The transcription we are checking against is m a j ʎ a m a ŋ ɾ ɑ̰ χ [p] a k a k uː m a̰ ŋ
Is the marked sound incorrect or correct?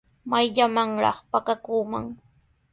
correct